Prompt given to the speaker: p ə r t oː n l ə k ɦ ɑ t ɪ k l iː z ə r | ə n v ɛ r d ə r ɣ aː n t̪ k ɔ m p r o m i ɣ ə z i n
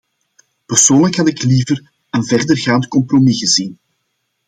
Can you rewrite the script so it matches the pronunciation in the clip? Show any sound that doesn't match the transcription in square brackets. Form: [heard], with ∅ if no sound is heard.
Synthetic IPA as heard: p ə r [s] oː n l ə k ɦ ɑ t ɪ k l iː [v] ə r | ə n v ɛ r d ə r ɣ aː n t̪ k ɔ m p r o m i ɣ ə z i n